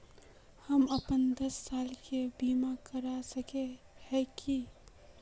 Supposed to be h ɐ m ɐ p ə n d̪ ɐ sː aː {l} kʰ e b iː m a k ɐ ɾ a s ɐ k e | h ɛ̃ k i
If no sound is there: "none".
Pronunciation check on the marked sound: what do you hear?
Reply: l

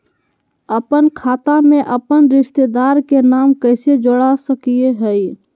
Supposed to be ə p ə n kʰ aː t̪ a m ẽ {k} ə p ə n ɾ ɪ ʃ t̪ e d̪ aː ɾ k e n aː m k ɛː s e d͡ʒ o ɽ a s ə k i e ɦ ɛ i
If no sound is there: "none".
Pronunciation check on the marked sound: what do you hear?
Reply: ʔ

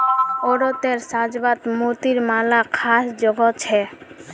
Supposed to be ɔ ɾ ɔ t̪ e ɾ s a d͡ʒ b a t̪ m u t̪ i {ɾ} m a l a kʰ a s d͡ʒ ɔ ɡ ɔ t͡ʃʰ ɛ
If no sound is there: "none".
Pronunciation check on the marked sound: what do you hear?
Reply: ɾ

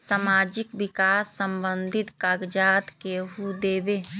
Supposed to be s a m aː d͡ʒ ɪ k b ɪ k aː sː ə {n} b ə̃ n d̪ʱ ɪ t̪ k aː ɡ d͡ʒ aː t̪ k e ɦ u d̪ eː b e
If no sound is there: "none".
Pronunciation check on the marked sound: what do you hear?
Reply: m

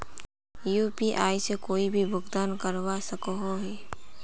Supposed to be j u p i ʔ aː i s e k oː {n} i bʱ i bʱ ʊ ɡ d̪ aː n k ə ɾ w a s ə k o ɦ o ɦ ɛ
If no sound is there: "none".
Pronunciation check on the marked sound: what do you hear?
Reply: none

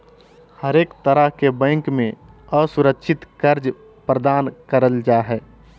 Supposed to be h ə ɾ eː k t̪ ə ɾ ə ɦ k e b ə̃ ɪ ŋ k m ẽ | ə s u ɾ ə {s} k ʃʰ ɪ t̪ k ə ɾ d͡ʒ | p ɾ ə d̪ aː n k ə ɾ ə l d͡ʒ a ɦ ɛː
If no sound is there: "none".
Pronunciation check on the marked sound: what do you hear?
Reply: none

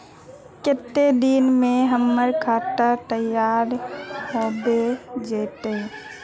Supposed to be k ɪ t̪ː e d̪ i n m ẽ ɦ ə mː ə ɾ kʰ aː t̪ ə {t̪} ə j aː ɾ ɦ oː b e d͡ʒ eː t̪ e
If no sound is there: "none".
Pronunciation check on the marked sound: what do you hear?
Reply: t̪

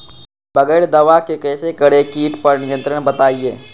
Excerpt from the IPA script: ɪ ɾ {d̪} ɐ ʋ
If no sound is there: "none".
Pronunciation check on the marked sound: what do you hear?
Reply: d̪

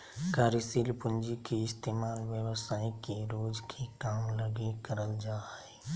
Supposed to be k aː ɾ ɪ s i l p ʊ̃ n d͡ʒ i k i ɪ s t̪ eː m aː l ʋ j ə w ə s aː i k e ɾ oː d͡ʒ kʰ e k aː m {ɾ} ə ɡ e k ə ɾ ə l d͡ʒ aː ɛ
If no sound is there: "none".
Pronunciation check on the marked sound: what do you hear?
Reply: l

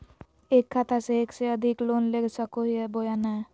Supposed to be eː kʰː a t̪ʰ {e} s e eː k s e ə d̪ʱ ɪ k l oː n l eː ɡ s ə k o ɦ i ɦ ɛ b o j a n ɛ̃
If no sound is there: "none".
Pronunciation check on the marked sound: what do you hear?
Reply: a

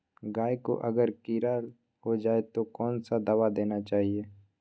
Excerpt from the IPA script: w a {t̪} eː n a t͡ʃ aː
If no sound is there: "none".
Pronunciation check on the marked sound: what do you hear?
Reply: d̪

